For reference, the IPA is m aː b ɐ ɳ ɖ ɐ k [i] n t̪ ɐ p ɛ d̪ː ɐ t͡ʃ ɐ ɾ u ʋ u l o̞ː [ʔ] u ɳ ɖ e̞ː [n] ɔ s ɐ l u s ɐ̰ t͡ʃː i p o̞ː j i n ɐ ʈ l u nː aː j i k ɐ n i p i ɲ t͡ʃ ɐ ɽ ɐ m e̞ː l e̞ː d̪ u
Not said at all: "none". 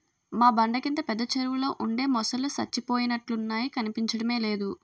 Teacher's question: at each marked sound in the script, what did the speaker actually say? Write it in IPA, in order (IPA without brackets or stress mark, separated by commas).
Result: i, ʔ, m